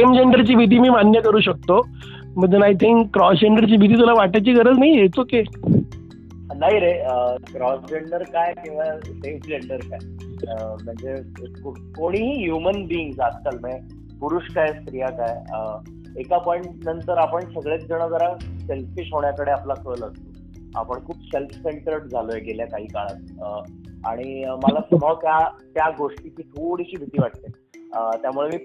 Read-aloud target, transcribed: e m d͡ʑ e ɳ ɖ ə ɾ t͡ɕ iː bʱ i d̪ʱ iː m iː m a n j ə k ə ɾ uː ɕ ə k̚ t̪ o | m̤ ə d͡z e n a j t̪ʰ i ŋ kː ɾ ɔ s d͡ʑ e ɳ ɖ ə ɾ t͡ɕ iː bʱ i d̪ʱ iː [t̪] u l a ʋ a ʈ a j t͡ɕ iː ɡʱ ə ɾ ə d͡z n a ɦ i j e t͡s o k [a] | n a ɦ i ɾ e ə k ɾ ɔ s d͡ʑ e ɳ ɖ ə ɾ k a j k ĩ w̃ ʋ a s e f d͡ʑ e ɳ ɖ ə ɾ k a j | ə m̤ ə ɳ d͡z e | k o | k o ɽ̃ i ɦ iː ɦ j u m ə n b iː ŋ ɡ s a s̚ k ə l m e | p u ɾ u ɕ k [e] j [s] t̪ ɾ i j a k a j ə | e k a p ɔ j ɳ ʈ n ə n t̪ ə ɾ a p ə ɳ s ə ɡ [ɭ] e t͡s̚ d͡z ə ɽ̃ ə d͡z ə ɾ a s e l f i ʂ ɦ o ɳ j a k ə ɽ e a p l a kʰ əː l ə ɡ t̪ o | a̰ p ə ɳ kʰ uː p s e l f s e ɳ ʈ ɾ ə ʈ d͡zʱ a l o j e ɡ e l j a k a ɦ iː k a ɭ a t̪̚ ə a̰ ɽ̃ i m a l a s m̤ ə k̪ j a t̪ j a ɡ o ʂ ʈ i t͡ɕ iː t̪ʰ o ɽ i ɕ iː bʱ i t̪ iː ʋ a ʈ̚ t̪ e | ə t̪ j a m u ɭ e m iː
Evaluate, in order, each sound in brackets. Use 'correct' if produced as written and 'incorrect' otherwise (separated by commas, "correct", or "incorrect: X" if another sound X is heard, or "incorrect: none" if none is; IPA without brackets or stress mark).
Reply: correct, incorrect: e, incorrect: a, correct, correct